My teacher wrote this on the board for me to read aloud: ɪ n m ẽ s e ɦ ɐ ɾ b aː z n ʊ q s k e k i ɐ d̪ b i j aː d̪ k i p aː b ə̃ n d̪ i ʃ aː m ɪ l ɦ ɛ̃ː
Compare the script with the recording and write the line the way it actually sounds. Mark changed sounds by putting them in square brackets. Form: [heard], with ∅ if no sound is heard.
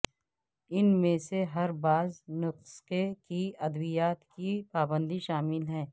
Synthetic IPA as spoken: ɪ n m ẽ s e ɦ ɐ ɾ b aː z n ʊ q s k e k i ɐ d̪ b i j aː [t̪] k i p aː b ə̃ n d̪ i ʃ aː m ɪ l ɦ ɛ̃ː